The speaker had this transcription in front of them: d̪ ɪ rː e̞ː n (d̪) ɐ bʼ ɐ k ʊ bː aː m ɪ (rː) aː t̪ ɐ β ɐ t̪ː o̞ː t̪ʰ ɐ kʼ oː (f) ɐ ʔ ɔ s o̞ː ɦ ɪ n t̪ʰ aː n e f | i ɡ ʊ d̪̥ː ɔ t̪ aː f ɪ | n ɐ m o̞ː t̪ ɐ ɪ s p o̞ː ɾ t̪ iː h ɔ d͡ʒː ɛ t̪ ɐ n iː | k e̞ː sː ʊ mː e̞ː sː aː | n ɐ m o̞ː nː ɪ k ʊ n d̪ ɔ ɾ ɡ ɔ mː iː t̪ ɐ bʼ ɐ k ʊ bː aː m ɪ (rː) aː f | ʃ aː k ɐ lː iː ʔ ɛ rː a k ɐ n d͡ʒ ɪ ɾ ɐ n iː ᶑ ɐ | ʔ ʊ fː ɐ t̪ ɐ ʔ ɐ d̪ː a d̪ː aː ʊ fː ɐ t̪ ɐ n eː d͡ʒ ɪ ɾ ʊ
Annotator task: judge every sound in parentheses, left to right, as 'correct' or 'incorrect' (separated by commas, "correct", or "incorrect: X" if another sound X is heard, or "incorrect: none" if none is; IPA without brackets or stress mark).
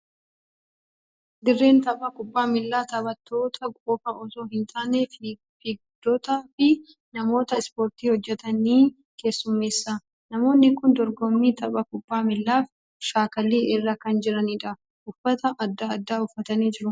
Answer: incorrect: t̪, incorrect: lː, correct, incorrect: lː